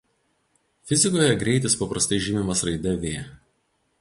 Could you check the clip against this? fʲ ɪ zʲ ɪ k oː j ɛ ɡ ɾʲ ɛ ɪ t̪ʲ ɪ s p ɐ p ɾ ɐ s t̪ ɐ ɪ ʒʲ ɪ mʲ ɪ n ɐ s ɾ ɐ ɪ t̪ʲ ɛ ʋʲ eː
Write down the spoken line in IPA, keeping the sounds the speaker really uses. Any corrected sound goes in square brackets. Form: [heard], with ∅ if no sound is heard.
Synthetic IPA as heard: fʲ ɪ zʲ ɪ k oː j ɛ ɡ ɾʲ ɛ ɪ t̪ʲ ɪ s p ɐ p ɾ ɐ s t̪ ɐ ɪ ʒʲ ɪ mʲ ɪ [m] ɐ s ɾ ɐ ɪ [d̪ʲ] ɛ ʋʲ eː

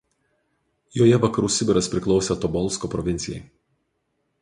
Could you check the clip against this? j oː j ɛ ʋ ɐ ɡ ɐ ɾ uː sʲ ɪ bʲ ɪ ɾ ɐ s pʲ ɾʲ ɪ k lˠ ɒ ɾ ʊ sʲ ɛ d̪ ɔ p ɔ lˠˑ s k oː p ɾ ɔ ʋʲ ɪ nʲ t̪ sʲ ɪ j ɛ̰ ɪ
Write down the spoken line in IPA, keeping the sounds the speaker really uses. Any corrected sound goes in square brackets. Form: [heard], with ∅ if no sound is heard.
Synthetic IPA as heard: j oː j ɛ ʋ ɐ [k] ɐ ɾ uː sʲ ɪ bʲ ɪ ɾ ɐ s pʲ ɾʲ ɪ k lˠ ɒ [∅] ʊ sʲ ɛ [t̪] ɔ [b] ɔ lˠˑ s k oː p ɾ ɔ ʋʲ ɪ nʲ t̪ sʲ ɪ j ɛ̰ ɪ

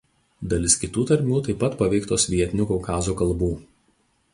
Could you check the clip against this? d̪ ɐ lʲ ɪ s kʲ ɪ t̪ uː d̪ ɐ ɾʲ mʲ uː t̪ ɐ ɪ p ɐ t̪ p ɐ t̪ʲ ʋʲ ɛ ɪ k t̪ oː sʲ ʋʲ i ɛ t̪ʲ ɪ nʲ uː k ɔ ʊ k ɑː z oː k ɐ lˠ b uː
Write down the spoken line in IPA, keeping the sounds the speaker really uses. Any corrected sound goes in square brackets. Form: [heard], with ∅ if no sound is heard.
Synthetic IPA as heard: d̪ ɐ lʲ ɪ s kʲ ɪ t̪ uː [t̪] ɐ ɾʲ mʲ uː t̪ ɐ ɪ p ɐ t̪ p ɐ [∅] ʋʲ ɛ ɪ k t̪ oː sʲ ʋʲ i ɛ t̪ʲ ɪ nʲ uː k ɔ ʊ k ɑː z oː k ɐ lˠ b uː

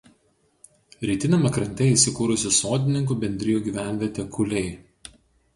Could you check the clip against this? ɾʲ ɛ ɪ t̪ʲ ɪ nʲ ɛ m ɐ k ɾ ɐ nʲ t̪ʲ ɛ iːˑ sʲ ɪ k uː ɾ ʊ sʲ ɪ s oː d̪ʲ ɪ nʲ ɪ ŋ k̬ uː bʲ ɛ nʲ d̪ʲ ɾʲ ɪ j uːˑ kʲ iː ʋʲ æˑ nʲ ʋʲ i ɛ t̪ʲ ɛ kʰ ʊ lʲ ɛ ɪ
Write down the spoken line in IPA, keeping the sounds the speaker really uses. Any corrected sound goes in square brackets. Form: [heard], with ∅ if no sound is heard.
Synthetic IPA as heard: ɾʲ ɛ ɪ t̪ʲ ɪ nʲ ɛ m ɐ k ɾ ɐ nʲ t̪ʲ ɛ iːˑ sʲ ɪ k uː ɾ ʊ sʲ ɪ s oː d̪ʲ ɪ nʲ ɪ ŋ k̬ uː bʲ ɛ nʲ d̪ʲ ɾʲ ɪ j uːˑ [ɡʲ] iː ʋʲ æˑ nʲ ʋʲ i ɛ t̪ʲ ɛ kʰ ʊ lʲ ɛ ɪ

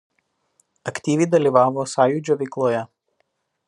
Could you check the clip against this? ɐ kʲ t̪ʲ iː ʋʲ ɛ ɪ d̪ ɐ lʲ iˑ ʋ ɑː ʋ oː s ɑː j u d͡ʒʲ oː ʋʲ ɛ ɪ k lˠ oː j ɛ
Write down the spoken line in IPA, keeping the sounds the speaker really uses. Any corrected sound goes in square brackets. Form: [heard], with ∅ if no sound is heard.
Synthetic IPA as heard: ɐ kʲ t̪ʲ iː ʋʲ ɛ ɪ d̪ ɐ lʲ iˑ ʋ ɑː ʋ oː s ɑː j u d͡ʒʲ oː ʋʲ ɛ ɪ k lˠ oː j ɛ

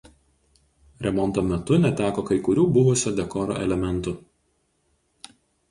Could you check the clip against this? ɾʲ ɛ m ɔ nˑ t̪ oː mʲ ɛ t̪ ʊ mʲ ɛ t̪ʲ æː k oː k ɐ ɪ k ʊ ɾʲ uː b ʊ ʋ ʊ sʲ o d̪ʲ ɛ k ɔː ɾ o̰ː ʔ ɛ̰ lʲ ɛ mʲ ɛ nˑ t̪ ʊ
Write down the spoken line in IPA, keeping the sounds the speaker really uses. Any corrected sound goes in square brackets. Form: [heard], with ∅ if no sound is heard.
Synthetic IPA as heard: ɾʲ ɛ m ɔ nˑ t̪ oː mʲ ɛ t̪ ʊ [nʲ] ɛ t̪ʲ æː k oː k ɐ ɪ k ʊ ɾʲ uː b ʊ ʋ ʊ sʲ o d̪ʲ ɛ k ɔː ɾ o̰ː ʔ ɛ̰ lʲ ɛ mʲ ɛ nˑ t̪ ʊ

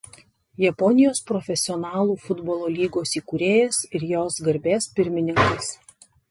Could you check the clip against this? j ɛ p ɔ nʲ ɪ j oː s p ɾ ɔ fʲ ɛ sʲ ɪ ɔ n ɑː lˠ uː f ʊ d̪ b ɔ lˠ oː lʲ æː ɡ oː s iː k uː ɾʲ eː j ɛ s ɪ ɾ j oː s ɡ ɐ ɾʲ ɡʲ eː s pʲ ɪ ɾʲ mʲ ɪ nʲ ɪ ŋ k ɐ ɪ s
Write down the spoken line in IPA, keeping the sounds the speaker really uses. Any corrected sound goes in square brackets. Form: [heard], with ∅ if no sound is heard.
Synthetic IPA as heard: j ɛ p ɔ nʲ ɪ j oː s p ɾ ɔ fʲ ɛ sʲ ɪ ɔ n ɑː lˠ uː f ʊ d̪ b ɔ lˠ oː lʲ [iː] ɡ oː s iː k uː ɾʲ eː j ɛ s ɪ ɾ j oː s ɡ ɐ ɾʲ [bʲ] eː s pʲ ɪ ɾʲ mʲ ɪ nʲ ɪ ŋ k ɐ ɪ s

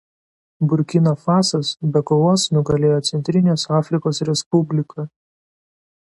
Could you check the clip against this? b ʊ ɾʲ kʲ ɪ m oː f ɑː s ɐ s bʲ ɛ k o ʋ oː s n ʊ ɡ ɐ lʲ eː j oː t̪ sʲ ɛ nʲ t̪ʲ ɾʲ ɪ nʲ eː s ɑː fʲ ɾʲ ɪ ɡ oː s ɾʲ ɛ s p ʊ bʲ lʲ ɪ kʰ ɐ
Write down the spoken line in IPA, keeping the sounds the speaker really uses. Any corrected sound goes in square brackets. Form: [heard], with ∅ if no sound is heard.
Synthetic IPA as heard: b ʊ ɾʲ kʲ ɪ [n] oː f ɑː s ɐ s bʲ ɛ k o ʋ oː s n ʊ ɡ ɐ lʲ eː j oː t̪ sʲ ɛ nʲ t̪ʲ ɾʲ ɪ nʲ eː s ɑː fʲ ɾʲ ɪ [k] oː s ɾʲ ɛ s p ʊ bʲ lʲ ɪ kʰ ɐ

